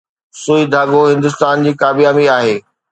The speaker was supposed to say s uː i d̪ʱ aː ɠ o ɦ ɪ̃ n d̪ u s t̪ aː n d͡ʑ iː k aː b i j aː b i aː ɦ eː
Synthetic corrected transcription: s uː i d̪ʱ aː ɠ o ɦ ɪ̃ n d̪ ʊ s t̪ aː n d͡ʑ iː k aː b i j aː m i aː ɦ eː